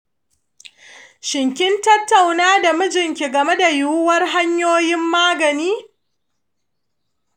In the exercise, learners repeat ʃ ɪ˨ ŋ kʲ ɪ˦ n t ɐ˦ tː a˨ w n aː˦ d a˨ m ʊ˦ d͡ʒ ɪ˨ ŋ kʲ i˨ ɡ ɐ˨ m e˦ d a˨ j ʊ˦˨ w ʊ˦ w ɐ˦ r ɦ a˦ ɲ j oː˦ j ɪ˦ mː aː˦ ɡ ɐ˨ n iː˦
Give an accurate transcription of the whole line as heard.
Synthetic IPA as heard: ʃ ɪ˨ ŋ kʲ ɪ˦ n t ɐ˦ tː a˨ w n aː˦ d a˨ m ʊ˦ d͡ʒ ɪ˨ ŋ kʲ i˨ ɡ ɐ˨ m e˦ d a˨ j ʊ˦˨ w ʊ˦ w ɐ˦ r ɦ a˦ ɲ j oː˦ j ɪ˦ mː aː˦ ɡ ɐ˨ n iː˦

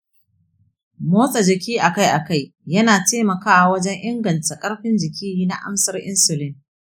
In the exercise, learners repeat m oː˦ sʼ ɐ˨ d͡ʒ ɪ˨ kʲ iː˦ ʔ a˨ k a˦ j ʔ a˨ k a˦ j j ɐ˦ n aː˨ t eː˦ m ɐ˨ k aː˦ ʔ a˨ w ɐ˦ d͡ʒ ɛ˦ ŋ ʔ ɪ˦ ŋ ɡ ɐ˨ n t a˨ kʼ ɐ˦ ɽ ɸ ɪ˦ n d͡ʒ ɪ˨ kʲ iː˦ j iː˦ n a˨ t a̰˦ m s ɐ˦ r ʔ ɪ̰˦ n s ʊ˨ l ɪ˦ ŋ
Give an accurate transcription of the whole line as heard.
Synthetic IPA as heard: m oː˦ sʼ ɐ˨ d͡ʒ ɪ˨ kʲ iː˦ ʔ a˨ k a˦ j ʔ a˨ k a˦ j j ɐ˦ n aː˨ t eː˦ m ɐ˨ k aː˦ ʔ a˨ w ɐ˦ d͡ʒ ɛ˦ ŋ ʔ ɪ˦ ŋ ɡ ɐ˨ n t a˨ kʼ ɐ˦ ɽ ɸ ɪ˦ n d͡ʒ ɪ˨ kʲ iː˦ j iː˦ n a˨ ʔ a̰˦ m s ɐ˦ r ʔ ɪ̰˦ n s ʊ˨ l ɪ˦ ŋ

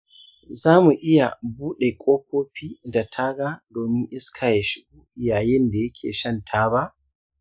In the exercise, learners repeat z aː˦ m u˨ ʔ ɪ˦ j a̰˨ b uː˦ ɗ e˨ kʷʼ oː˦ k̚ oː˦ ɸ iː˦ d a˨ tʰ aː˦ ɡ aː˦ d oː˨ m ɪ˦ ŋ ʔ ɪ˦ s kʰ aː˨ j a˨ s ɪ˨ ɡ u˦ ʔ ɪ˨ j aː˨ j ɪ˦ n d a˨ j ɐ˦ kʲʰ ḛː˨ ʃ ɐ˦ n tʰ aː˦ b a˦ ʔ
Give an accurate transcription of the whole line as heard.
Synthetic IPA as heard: z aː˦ m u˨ ʔ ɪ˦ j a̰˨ b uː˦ ɗ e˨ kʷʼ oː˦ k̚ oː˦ ɸ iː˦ d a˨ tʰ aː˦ ɡ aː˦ d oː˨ m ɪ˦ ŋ ʔ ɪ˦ s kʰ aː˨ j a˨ ʃ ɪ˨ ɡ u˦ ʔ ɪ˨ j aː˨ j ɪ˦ n d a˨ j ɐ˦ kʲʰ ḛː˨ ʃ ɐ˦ n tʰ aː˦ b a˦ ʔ

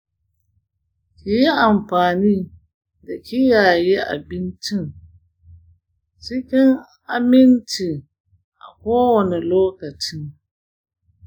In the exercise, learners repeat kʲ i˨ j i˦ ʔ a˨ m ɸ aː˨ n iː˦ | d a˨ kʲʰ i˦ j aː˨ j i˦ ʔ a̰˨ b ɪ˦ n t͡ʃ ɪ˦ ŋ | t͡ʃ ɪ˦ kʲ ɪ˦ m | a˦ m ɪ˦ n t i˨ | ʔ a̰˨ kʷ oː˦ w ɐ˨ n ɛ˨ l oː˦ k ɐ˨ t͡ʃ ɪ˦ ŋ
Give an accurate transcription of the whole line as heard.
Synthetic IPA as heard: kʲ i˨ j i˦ ʔ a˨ m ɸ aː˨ n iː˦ | d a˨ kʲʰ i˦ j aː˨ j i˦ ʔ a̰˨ b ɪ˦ n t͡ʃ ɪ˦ ŋ | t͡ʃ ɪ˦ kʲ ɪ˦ ŋ | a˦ m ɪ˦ n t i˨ | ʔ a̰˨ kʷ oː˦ w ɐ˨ n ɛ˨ l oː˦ k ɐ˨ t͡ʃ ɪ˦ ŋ

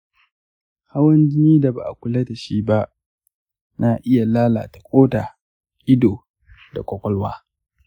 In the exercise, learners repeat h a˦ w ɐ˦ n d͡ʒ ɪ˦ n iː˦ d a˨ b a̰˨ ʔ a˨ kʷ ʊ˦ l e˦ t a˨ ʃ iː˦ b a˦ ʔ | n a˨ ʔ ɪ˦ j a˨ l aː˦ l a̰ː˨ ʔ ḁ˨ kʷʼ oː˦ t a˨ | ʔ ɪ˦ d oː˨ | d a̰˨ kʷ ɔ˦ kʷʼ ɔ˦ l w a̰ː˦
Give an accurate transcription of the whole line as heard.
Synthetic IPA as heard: h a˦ w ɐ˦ n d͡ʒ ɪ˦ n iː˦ d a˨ b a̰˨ ʔ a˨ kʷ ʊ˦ l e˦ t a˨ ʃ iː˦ b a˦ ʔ | n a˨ ʔ ɪ˦ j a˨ l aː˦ l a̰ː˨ t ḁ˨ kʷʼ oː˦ t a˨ | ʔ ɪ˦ d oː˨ | d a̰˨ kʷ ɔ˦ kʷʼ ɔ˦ l w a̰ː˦

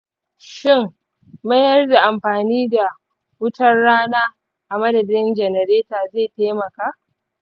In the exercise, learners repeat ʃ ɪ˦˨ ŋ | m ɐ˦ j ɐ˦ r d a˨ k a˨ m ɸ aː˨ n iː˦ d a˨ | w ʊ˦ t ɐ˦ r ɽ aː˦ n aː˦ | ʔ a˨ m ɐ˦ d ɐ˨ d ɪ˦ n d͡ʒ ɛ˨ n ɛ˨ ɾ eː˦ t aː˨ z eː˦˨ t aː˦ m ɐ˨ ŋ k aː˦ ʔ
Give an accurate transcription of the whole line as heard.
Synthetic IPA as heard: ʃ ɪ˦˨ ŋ | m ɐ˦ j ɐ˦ r d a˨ ʔ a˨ m ɸ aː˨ n iː˦ d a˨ | w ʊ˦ t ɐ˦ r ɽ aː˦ n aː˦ | ʔ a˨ m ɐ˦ d ɐ˨ d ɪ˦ n d͡ʒ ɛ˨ n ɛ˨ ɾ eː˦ t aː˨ z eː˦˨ t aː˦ m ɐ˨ k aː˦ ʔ

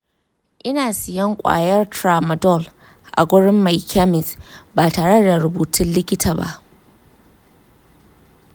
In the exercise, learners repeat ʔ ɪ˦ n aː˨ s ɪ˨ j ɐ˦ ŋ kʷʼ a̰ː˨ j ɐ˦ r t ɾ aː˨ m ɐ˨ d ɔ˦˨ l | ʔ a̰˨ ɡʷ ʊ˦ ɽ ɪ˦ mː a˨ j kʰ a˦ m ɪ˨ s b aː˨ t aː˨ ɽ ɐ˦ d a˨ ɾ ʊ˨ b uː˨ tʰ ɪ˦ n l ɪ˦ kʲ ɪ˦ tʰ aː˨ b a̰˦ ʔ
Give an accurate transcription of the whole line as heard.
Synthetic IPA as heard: ʔ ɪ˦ n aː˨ s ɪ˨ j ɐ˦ ŋ kʷʼ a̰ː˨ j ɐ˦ r t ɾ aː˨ m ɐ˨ d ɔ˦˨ l | ʔ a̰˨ ɡʷ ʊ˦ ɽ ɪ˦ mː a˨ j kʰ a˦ m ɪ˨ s b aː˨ t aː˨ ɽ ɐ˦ d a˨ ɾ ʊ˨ b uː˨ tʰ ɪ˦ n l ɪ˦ kʲ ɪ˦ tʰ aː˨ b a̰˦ ʔ

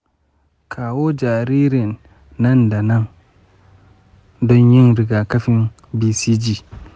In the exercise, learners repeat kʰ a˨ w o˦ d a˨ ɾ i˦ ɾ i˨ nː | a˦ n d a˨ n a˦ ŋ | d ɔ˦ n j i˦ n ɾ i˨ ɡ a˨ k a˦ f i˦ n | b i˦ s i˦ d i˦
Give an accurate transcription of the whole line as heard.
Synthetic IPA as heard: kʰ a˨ w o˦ d͡ʒ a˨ ɾ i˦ ɾ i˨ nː | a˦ n d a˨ n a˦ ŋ | d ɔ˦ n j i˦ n ɾ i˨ ɡ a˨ k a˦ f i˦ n | b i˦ s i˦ d͡ʒ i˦

